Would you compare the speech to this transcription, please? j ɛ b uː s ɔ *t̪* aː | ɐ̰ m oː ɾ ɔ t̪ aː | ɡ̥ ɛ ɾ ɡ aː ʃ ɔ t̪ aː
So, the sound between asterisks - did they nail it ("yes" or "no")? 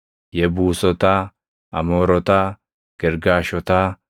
yes